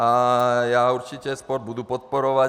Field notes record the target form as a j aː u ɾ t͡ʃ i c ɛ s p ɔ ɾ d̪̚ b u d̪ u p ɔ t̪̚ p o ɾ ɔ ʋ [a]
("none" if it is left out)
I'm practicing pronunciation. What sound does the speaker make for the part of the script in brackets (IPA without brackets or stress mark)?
a